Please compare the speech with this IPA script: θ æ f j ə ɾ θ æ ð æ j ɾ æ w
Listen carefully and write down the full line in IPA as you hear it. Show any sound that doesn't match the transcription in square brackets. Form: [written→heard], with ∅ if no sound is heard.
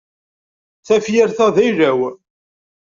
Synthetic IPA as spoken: θ æ f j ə ɾ θ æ ð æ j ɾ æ w

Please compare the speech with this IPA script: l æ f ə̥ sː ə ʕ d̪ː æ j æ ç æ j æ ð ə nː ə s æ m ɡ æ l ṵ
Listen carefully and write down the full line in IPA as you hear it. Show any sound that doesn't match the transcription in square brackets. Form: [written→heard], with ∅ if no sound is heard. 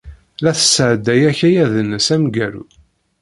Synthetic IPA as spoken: l æ [f→θ] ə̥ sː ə ʕ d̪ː æ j æ ç æ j æ ð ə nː ə s æ m ɡ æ [l→ɾ] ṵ

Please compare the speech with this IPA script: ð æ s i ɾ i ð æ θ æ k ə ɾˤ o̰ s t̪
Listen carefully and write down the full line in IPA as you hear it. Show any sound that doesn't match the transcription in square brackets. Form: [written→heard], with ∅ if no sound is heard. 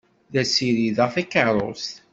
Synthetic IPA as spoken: ð æ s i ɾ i ð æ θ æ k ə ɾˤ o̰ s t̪

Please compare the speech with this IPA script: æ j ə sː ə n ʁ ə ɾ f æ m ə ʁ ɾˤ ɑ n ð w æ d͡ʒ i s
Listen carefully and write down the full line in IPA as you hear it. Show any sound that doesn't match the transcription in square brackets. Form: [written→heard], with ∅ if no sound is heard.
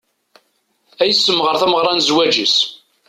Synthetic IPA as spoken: æ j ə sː ə [n→m] ʁ ə ɾ [f→θ] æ m ə ʁ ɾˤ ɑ n [ð→z] w æ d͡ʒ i s

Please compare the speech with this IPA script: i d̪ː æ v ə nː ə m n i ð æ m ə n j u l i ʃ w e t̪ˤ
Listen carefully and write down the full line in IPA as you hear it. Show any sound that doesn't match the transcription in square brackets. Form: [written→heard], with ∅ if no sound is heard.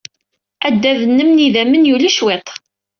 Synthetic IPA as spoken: [i→æ] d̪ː æ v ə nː ə m n i ð æ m ə n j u l i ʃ w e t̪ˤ

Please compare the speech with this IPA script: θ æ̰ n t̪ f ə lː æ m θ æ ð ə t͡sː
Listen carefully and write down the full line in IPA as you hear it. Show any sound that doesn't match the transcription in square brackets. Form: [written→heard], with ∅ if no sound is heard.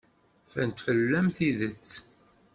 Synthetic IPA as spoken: [θ→f] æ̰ n t̪ f ə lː æ m θ [æ→i] ð ə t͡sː

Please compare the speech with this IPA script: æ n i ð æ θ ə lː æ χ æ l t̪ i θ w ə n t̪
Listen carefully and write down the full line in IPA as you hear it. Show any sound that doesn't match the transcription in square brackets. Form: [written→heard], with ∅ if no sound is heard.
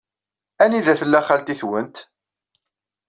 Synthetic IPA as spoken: æ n i ð æ θ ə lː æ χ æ l t̪ i θ w ə n t̪

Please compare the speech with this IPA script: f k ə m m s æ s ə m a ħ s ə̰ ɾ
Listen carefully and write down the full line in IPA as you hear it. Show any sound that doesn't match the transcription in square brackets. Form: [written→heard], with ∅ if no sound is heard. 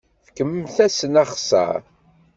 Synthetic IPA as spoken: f k ə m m [s→θ] æ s ə [m→n] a [ħ→χ] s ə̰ ɾ

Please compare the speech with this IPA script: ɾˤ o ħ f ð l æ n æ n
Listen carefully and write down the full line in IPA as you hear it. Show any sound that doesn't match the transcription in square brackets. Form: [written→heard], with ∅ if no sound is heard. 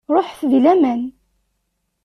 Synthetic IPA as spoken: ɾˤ o ħ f ð l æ [n→m] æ n

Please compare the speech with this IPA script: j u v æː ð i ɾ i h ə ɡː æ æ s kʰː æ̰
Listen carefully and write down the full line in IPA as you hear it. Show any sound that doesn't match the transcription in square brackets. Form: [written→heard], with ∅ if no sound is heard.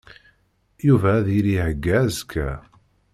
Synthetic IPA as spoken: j u v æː ð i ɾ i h ə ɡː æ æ [s→z] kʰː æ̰

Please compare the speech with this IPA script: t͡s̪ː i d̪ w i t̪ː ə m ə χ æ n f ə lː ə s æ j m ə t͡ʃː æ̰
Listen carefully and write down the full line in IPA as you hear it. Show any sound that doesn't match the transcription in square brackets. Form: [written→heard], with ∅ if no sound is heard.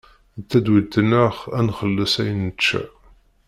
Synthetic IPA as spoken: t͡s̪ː [i→æ] d̪ w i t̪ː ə [m→n] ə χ æ n [f→χ] ə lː ə s æ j [m→n] ə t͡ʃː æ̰

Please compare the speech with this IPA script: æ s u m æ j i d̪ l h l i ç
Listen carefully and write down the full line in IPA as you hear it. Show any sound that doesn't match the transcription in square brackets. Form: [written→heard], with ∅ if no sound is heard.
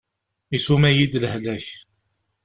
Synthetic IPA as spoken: [æ→i] s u m æ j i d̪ l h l [i→æ] ç

